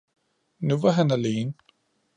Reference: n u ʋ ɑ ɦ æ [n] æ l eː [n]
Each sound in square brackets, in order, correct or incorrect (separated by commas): correct, correct